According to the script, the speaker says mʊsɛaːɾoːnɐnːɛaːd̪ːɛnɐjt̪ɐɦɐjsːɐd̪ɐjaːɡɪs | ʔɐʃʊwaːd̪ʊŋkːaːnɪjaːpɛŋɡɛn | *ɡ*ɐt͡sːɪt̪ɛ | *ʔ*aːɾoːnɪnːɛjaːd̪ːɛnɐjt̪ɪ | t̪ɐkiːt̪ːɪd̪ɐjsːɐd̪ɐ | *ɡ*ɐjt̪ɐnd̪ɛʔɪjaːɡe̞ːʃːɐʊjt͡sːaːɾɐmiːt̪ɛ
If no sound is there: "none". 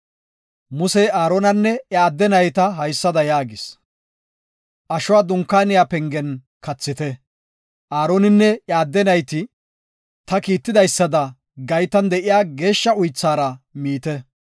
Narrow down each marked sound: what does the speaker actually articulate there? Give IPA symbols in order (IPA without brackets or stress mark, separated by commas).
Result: k, ʔ, ɡ